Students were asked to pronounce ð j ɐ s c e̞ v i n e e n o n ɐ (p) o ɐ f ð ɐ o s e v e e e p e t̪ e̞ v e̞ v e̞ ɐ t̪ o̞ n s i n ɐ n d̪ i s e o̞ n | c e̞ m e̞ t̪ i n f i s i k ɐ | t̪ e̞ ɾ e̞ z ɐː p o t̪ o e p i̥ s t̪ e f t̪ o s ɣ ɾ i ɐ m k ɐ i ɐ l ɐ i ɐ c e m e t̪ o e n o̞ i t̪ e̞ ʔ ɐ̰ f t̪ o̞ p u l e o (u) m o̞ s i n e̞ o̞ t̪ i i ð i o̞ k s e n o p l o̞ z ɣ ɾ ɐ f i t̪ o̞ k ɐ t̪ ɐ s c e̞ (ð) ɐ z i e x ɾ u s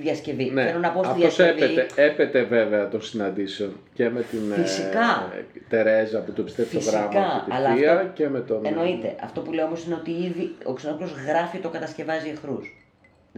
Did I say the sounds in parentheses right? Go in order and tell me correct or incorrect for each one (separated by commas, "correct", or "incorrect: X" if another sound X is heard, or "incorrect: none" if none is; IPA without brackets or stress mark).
correct, incorrect: o, incorrect: v